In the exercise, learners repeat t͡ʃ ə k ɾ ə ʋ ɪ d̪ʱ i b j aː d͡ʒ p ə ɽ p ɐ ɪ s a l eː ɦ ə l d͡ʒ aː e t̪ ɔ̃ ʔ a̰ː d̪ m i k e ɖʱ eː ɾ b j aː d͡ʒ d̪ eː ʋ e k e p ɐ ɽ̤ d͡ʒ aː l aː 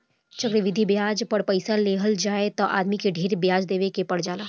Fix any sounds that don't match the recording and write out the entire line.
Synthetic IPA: t͡ʃ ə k ɾ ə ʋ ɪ d̪ʱ i b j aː d͡ʒ p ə ɽ p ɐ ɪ s a l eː ɦ ə l d͡ʒ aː e t̪ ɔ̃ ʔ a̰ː d̪ m i k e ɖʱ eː ɾ b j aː d͡ʒ d̪ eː ʋ e k e p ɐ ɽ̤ d͡ʒ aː l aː

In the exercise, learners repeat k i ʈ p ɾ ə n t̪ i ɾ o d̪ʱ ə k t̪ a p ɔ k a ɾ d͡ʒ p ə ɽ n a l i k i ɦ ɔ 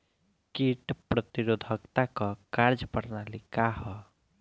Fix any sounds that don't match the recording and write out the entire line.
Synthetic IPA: k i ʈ p ɾ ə t̪ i ɾ o d̪ʱ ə k t̪ a k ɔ k a ɾ d͡ʒ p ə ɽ n a l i k a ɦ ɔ

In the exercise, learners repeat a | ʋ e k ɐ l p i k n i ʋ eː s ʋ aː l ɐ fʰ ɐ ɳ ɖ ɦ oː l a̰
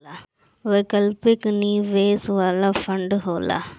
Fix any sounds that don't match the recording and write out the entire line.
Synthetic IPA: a | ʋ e k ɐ l p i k n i ʋ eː s ʋ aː l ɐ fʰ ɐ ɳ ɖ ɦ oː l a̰

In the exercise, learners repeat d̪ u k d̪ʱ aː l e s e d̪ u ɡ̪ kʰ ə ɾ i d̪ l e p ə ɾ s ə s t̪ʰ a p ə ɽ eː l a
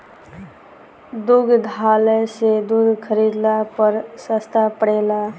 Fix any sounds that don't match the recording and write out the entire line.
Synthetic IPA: d̪ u ɡ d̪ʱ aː l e s e d̪ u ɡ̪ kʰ ə ɾ i d̪ l a p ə ɾ s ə s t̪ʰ a p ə ɽ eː l a

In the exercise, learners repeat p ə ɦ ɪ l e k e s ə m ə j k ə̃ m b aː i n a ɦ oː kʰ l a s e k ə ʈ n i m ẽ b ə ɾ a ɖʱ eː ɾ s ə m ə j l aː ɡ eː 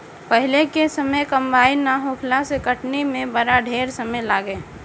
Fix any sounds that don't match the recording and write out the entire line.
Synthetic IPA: p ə ɦ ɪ l e k e s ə m ə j k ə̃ m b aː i n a ɦ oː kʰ l a s e k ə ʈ n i m ẽ b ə ɾ a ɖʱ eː ɾ s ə m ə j l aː ɡ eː

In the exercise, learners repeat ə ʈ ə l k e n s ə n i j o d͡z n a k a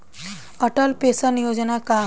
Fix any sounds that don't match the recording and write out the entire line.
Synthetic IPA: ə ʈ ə l p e s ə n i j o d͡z n a k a

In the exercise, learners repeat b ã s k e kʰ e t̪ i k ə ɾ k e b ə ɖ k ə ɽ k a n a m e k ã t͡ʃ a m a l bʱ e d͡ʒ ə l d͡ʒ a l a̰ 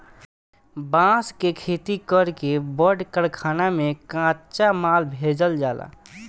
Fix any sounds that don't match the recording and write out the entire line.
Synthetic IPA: b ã s k e kʰ e t̪ i k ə ɾ k e b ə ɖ k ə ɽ kʰ a n a m e k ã t͡ʃ a m a l bʱ e d͡ʒ ə l d͡ʒ a l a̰

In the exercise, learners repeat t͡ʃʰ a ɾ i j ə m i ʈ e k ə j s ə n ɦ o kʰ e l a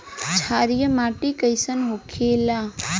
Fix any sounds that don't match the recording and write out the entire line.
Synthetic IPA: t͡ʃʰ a ɾ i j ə m a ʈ i k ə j s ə n ɦ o kʰ e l a

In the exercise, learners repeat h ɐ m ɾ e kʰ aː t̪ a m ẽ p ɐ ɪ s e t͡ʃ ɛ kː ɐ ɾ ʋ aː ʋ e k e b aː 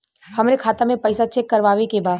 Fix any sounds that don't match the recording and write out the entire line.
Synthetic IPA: h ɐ m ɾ e kʰ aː t̪ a m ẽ p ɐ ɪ s a t͡ʃ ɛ kː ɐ ɾ ʋ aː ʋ e k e b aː

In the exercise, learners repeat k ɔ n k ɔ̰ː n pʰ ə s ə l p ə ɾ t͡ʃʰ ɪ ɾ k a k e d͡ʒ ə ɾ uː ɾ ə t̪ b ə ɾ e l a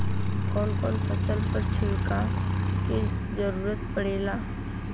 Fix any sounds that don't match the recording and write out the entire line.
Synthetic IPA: k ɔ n k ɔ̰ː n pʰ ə s ə l p ə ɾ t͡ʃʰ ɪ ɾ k a k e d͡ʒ ə ɾ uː ɾ ə t̪ p ə ɽ e l a

